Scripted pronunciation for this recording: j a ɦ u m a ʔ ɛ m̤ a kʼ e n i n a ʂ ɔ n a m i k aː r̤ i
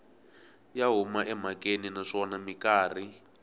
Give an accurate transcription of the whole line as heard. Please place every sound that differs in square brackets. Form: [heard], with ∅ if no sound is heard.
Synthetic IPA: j a ɦ u m a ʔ ɛ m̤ a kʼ e n i n a ʂ ɔ n a m i k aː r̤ i